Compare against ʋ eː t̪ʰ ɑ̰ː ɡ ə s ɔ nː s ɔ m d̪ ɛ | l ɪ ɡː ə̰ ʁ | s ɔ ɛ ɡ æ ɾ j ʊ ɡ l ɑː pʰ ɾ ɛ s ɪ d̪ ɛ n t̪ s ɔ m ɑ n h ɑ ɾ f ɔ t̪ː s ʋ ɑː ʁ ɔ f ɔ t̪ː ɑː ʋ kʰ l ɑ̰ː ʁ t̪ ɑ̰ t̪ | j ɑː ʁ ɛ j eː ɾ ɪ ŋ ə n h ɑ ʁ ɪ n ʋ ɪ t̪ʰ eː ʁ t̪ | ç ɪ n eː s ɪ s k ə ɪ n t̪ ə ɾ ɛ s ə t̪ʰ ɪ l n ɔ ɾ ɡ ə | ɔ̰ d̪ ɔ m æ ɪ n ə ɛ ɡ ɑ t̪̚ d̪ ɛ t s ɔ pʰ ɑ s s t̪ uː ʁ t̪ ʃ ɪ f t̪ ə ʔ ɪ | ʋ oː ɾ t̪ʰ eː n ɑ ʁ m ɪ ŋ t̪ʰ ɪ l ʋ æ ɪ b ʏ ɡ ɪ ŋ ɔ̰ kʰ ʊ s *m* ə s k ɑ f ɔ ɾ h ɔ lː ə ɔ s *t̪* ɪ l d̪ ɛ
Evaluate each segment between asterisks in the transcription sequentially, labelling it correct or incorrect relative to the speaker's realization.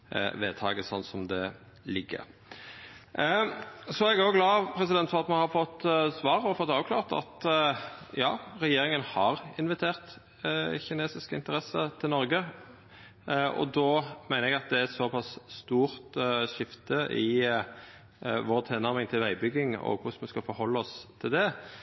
correct, incorrect: t̪ʰ

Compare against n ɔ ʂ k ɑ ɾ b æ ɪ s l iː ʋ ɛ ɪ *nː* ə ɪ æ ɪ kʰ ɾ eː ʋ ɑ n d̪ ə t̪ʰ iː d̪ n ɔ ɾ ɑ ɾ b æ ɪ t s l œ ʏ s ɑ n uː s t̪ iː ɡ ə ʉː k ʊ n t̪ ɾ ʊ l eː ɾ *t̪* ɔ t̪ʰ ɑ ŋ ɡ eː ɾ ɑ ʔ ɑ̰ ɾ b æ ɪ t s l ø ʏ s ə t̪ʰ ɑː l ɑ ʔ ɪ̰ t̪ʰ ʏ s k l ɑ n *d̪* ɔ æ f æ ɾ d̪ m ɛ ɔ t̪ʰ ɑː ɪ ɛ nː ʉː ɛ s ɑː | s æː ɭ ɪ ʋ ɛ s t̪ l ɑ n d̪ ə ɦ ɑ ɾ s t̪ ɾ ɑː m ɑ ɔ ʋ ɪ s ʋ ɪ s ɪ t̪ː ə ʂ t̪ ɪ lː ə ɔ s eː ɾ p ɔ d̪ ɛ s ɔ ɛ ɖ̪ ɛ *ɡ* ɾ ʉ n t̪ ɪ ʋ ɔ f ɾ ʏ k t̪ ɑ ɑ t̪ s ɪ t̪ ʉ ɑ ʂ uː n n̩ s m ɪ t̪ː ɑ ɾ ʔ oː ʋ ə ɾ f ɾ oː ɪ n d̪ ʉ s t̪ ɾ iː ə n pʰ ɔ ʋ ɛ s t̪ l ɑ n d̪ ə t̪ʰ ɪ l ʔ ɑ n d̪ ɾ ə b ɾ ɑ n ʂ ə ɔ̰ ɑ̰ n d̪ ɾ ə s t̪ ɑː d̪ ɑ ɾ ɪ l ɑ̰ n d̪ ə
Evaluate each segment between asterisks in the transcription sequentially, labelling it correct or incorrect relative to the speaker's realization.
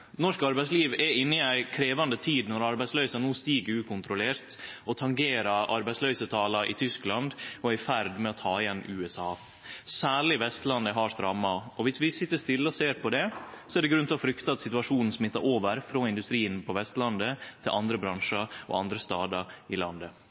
correct, correct, correct, correct

